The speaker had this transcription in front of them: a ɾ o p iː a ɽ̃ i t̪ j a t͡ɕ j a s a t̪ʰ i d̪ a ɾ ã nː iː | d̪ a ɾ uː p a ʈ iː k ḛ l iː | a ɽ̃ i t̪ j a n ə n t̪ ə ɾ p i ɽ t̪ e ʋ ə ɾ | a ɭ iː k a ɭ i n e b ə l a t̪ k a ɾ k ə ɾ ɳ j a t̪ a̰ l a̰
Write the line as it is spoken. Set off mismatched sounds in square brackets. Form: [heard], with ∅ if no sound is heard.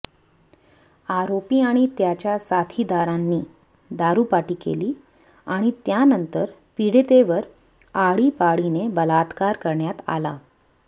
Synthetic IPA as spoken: a ɾ o p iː a ɽ̃ i t̪ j a t͡ɕ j a s a t̪ʰ i d̪ a ɾ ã nː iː | d̪ a ɾ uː p a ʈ iː k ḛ l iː | a ɽ̃ i t̪ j a n ə n t̪ ə ɾ p i ɽ t̪ e ʋ ə ɾ | a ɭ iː [p] a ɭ i n e b ə l a t̪ k a ɾ k ə ɾ ɳ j a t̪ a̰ l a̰